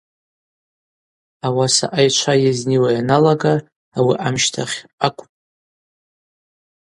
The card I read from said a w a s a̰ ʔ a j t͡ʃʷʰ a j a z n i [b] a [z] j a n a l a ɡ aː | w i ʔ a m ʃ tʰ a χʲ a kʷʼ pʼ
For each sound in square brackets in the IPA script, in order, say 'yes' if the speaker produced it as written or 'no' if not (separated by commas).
no, no